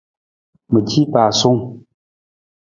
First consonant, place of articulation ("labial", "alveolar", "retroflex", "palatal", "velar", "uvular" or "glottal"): labial